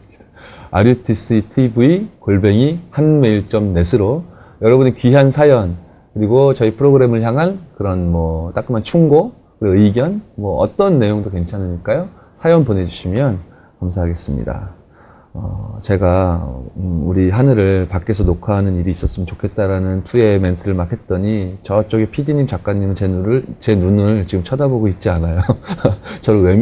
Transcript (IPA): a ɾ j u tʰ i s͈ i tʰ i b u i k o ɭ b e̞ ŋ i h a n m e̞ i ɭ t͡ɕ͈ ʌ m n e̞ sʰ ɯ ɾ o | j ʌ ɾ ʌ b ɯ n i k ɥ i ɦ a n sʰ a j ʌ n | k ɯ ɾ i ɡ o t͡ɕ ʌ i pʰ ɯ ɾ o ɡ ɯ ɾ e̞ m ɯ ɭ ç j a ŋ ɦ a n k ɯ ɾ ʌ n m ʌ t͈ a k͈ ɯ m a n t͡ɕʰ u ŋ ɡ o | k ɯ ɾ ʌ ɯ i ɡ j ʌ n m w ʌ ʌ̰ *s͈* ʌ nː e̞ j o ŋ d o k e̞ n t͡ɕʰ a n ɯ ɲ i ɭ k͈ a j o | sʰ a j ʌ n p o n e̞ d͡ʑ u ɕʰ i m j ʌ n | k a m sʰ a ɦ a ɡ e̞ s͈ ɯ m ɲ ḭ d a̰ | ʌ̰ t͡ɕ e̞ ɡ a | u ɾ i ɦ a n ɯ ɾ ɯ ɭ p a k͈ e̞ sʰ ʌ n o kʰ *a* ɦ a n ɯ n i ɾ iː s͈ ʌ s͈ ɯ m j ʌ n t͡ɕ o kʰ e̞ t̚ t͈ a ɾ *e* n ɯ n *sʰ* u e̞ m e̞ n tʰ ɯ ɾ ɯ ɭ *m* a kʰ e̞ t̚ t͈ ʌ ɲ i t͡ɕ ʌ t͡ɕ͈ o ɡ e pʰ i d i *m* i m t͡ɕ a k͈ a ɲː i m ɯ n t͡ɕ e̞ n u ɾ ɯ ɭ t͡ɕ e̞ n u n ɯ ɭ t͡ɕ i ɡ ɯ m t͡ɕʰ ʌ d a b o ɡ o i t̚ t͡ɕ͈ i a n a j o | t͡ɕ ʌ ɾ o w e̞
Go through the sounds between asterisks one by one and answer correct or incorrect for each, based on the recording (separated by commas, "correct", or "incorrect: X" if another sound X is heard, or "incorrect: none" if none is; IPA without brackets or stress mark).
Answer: incorrect: t͈, correct, incorrect: a, incorrect: tʰ, correct, incorrect: ɲ